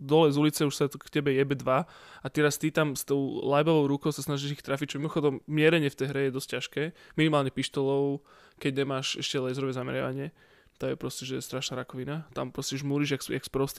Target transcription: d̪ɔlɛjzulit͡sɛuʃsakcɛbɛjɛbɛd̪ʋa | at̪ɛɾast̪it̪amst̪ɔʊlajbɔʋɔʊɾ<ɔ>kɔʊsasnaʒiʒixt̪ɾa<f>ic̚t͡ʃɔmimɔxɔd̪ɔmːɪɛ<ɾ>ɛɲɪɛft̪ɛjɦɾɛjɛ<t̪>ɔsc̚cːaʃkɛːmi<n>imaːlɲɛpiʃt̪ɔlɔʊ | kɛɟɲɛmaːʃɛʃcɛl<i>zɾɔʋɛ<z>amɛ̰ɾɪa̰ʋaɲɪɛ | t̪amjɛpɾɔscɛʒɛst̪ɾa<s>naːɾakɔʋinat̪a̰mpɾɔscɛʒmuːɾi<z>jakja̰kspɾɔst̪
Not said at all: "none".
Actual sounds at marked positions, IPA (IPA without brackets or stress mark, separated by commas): u, f, ɾ, d̪, n, ɛ, z, ʃ, ʒ